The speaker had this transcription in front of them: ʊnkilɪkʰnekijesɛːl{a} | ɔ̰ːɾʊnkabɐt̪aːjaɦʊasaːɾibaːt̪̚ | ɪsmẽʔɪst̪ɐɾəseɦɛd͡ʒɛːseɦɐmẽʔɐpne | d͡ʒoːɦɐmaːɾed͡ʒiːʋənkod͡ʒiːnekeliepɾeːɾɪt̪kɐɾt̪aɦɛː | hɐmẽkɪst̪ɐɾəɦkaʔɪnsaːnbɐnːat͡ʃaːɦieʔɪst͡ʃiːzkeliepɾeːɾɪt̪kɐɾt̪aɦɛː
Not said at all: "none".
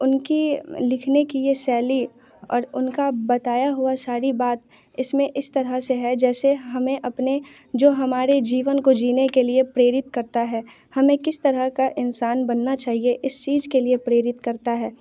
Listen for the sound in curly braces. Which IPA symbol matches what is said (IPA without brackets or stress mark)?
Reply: i